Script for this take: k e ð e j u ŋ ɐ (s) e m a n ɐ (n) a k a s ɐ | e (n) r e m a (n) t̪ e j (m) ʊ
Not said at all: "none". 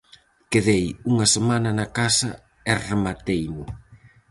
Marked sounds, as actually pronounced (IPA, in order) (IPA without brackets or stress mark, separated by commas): s, n, none, none, m